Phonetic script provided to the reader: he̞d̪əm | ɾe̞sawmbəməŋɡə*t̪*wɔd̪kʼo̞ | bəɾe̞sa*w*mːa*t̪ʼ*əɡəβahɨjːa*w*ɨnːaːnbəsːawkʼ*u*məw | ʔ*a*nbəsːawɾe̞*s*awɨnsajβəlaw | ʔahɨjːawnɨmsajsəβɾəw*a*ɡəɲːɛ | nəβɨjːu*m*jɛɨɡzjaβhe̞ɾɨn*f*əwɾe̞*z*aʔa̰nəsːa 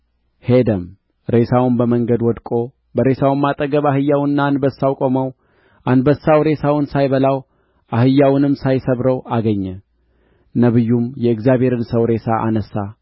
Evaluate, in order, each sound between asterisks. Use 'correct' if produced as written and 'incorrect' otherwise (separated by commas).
incorrect, correct, correct, correct, incorrect, correct, correct, correct, correct, incorrect, incorrect